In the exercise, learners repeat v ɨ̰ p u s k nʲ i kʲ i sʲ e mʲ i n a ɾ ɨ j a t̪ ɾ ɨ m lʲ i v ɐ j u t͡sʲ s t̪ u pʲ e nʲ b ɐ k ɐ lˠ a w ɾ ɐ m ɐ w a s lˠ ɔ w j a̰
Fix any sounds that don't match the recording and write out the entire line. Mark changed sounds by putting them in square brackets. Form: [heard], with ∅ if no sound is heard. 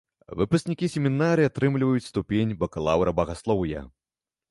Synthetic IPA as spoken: v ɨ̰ p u s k nʲ i kʲ i sʲ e mʲ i n a ɾ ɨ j a t̪ ɾ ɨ m lʲ i v ɐ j u t͡sʲ s t̪ u pʲ e nʲ b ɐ k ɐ lˠ a w ɾ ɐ [b] ɐ [ɣ] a s lˠ ɔ w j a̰